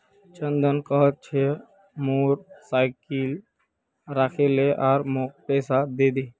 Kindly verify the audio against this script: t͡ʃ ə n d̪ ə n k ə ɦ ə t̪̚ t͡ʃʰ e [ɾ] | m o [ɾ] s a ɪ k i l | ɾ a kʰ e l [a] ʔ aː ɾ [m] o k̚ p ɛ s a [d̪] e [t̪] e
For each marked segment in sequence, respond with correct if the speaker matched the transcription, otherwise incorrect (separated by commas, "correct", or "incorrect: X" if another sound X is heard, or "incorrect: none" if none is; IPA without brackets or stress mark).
incorrect: none, correct, incorrect: e, correct, correct, incorrect: d̪